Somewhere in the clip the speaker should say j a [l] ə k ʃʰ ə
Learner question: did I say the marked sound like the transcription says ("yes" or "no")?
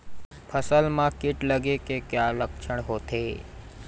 yes